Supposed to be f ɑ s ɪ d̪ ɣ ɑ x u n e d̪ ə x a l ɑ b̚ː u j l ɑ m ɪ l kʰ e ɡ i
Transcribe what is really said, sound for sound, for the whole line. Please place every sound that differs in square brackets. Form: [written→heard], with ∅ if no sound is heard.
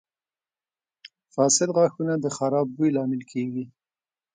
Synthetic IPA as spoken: f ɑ s ɪ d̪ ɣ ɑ x u n [e→a] d̪ ə x a [l→ɾ] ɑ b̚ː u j l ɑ m ɪ l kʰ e ɡ i